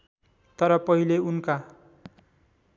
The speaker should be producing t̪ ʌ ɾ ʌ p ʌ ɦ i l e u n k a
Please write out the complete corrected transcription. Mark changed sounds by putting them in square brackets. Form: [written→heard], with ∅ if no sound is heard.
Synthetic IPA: t̪ ʌ ɾ ʌ p ʌ ɦ i l e u n k a